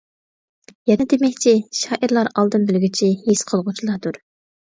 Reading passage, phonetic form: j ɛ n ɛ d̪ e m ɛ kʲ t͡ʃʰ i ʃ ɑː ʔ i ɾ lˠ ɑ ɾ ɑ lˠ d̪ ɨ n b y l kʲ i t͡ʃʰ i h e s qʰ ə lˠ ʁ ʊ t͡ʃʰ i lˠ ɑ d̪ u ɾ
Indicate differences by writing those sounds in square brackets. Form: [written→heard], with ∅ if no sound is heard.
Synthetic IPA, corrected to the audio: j ɛ n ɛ d̪ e m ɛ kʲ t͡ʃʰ i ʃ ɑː ʔ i ɾ lˠ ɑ ɾ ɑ lˠ d̪ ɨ n b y l [kʲ→ɡʲ] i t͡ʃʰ i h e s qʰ ə lˠ ʁ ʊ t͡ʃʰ i lˠ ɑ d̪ u ɾ